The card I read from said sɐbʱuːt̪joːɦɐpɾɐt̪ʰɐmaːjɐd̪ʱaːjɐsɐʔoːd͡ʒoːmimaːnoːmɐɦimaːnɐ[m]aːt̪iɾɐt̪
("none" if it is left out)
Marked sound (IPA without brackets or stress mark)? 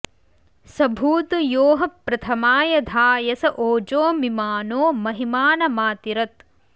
m